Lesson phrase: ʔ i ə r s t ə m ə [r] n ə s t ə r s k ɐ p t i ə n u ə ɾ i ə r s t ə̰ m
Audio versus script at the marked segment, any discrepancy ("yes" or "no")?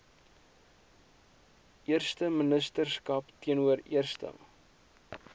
yes